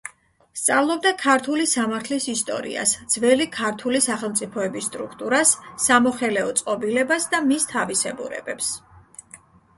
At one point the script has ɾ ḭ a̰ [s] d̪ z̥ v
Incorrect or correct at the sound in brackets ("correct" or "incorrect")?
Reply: correct